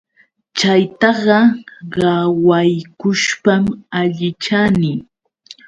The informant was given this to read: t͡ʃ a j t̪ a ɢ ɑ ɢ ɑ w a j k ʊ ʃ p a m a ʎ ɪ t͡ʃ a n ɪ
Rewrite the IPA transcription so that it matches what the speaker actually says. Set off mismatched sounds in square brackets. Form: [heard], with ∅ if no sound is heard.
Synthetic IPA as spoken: t͡ʃ a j t̪ [ɑ] ɢ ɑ ɢ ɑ w a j k ʊ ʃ p a m a ʎ ɪ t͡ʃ a n ɪ